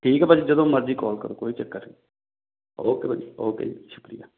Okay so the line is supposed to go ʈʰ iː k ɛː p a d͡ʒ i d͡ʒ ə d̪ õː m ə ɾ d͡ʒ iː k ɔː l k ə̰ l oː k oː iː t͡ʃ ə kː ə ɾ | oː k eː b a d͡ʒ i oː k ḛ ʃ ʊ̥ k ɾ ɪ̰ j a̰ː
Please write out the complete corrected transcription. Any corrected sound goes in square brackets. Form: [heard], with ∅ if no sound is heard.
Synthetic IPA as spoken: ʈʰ iː k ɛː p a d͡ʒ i d͡ʒ ə d̪ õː m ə ɾ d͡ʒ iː k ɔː l k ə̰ [ɾ] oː k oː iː t͡ʃ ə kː ə ɾ | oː k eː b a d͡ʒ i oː k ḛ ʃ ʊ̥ k ɾ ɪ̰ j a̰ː